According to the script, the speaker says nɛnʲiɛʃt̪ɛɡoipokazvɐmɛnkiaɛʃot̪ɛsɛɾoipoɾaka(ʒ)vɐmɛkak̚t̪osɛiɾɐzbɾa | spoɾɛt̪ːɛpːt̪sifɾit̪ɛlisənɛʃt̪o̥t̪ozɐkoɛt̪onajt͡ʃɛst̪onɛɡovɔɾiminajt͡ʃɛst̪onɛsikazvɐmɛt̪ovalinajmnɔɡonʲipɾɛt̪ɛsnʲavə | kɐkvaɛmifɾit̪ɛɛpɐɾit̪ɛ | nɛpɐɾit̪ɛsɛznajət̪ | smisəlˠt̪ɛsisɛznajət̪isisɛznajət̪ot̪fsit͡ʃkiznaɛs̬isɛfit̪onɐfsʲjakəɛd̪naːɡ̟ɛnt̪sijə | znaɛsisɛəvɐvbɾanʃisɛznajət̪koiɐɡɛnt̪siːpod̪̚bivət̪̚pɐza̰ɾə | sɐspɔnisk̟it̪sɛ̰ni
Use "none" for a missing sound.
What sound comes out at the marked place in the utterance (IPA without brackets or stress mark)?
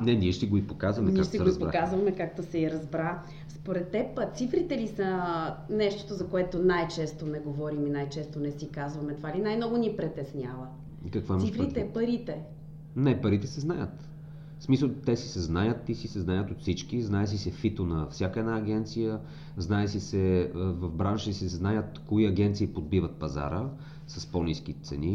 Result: z